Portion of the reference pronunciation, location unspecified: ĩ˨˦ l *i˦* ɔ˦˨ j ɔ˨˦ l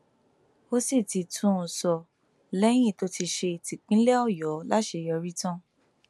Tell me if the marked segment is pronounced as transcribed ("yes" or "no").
no